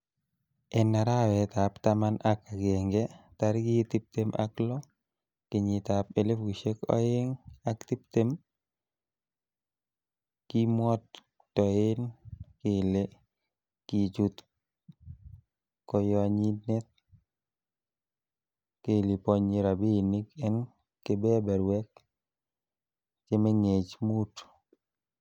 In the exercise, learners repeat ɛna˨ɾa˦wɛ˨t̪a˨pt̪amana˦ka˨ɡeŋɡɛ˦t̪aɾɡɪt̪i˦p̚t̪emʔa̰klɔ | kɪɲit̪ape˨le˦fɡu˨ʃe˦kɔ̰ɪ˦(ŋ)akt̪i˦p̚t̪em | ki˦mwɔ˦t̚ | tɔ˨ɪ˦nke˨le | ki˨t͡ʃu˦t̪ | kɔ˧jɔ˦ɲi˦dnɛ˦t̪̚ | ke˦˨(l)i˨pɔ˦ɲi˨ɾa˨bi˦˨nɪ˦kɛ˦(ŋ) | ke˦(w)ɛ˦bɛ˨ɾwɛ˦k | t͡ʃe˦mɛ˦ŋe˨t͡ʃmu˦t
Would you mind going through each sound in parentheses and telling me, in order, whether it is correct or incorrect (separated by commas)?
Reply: correct, correct, incorrect, incorrect